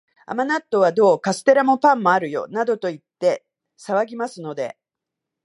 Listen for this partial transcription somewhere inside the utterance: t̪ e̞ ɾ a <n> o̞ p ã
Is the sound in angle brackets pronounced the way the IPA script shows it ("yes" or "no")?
no